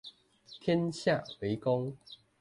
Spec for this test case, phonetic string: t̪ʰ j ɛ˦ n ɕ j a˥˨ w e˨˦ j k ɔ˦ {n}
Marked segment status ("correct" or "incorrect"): incorrect